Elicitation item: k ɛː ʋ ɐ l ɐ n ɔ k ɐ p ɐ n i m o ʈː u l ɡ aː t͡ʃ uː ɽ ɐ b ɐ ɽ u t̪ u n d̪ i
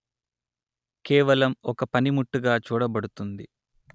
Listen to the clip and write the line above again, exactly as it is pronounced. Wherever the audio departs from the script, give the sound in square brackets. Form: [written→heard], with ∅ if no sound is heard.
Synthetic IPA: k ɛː ʋ ɐ l ɐ [n→m] ɔ k ɐ p ɐ n i m [o→u] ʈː u [l→∅] ɡ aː t͡ʃ uː ɽ ɐ b ɐ ɽ u t̪ u n d̪ i